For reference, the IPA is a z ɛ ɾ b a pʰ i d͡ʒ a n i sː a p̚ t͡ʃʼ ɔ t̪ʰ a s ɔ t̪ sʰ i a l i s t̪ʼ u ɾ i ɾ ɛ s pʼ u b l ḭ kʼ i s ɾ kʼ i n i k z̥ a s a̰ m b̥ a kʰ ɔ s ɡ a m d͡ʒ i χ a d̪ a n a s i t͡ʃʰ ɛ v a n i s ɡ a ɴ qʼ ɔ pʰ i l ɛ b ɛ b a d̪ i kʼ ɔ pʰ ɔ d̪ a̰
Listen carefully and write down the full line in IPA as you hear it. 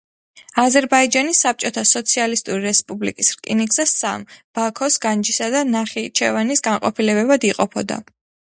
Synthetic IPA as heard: a z ɛ ɾ b a i d͡ʒ a n i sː a p̚ t͡ʃʼ ɔ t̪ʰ a s ɔ t̪ sʰ i a l i s t̪ʼ u ɾ i ɾ ɛ s pʼ u b l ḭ kʼ i s ɾ kʼ i n i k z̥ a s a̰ m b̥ a kʰ ɔ s ɡ a n d͡ʒ i s a d̪ a n a χ i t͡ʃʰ ɛ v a n i s ɡ a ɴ qʼ ɔ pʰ i l ɛ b ɛ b a d̪ i qʼ ɔ pʰ ɔ d̪ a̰